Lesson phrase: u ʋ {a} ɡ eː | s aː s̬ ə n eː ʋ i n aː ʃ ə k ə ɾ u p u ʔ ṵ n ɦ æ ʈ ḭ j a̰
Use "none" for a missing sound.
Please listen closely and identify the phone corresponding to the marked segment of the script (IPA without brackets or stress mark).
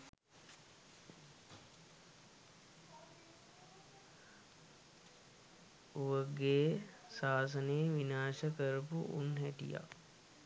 ə